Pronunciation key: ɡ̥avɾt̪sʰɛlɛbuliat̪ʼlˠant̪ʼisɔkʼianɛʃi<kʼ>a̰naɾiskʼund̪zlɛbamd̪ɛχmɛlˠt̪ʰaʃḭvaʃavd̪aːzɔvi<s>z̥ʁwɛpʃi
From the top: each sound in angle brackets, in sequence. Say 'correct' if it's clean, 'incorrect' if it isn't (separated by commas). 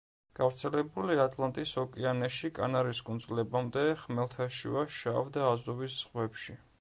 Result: correct, correct